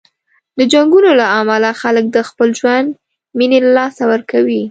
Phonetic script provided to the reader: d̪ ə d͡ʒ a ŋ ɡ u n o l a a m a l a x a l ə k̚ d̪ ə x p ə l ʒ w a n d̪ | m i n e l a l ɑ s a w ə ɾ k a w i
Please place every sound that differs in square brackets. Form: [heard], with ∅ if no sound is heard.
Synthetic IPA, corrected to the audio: d̪ ə d͡ʒ a ŋ ɡ u n o l a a m a l a x a l ə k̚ d̪ ə x p ə l ʒ w a n d̪ | m i n e l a l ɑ s a w ə ɾ k a w i